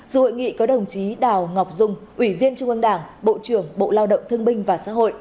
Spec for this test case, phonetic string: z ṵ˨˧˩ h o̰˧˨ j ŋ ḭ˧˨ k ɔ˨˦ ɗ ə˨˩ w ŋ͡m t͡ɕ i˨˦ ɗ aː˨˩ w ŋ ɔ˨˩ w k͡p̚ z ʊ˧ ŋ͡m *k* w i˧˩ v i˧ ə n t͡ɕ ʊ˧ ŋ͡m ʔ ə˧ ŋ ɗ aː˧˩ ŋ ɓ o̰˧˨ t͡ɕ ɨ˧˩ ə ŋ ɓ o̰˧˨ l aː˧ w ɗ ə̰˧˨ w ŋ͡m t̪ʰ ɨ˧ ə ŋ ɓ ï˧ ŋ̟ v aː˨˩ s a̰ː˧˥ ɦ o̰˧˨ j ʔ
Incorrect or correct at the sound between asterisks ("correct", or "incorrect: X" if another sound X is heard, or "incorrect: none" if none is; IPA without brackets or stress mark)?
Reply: incorrect: ʔ